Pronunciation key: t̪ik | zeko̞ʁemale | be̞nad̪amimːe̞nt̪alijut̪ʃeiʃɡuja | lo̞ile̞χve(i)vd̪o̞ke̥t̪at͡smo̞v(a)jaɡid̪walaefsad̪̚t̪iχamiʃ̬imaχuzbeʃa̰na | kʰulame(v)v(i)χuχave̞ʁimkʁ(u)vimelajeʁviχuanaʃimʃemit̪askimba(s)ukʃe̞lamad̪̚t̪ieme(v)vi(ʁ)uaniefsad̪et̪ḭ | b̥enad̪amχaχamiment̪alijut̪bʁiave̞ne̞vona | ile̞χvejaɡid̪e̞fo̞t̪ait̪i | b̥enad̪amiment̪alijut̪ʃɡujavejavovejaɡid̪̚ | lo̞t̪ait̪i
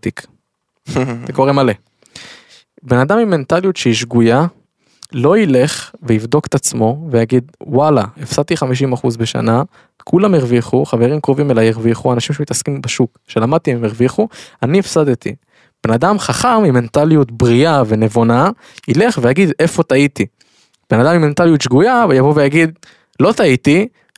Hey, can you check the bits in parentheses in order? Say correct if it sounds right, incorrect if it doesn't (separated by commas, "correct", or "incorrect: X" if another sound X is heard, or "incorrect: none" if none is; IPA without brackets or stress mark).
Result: correct, incorrect: e, incorrect: ʁ, correct, incorrect: o, incorrect: ʃ, incorrect: ʁ, incorrect: χ